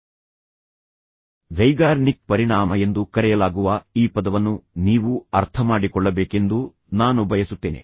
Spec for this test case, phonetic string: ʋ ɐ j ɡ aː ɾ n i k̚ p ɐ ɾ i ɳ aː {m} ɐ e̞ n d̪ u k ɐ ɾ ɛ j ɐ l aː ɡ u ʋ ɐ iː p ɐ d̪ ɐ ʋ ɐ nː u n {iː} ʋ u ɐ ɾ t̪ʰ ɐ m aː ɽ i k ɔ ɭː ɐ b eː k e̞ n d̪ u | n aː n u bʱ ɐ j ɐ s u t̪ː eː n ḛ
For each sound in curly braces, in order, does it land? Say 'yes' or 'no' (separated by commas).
yes, yes